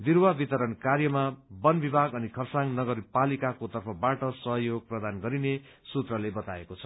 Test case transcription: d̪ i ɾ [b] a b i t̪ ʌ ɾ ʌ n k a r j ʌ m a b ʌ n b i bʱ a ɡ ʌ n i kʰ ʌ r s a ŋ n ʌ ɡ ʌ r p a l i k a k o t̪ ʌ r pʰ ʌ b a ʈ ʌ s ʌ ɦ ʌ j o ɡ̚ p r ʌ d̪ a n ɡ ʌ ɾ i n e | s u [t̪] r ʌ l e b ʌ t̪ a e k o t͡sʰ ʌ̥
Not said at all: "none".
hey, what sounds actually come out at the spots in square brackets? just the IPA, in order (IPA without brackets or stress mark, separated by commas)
w, t̪